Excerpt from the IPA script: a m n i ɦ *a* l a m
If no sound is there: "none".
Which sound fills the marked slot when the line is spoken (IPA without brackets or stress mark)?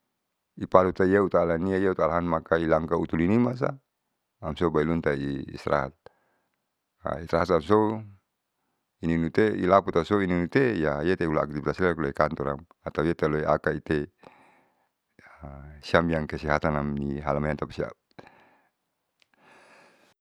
a